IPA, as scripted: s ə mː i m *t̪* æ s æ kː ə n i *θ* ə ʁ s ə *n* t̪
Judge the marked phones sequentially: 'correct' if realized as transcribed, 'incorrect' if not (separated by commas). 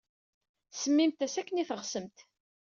correct, correct, incorrect